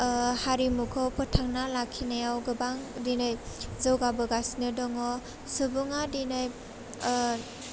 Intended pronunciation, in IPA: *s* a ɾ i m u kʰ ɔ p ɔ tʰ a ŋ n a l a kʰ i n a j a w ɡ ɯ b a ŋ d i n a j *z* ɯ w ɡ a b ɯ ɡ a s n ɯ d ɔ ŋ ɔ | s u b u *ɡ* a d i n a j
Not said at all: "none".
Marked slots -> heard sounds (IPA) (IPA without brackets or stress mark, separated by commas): h, z, ŋ